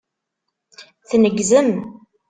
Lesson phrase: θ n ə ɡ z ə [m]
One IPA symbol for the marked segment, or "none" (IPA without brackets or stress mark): m